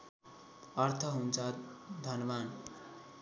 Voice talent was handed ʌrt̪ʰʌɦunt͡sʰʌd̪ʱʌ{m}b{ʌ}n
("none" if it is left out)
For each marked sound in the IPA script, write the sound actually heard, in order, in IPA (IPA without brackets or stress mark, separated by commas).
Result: n, a